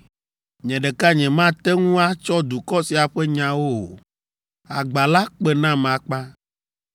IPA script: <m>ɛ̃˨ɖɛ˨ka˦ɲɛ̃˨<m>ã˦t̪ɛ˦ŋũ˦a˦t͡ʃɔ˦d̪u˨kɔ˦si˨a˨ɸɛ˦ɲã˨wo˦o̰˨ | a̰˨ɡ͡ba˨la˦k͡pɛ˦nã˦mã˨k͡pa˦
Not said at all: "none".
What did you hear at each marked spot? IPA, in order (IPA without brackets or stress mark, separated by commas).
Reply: ɲ, m